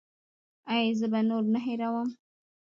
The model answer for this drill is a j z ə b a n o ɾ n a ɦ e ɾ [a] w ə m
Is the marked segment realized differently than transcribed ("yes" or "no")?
no